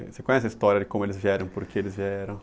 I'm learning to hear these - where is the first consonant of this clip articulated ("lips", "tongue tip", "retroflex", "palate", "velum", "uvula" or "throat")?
tongue tip